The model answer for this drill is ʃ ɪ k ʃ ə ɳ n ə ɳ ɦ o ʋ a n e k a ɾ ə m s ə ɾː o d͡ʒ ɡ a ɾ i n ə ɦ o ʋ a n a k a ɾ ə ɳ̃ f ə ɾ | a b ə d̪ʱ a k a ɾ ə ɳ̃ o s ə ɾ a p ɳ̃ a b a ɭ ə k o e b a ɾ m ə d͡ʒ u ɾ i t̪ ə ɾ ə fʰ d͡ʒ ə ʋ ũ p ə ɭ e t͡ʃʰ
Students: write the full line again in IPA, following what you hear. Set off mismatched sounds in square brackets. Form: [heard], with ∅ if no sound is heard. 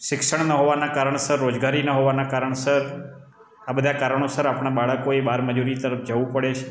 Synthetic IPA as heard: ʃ ɪ k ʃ ə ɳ n ə [∅] ɦ o ʋ a n [a] k a ɾ ə [ɳ] s ə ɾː o d͡ʒ ɡ a ɾ i n ə ɦ o ʋ a n a k a ɾ ə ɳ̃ [s] ə ɾ | a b ə d̪ʱ a k a ɾ ə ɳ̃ o s ə ɾ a p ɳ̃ a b a ɭ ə k o e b a ɾ m ə d͡ʒ u ɾ i t̪ ə ɾ ə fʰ d͡ʒ ə ʋ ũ p ə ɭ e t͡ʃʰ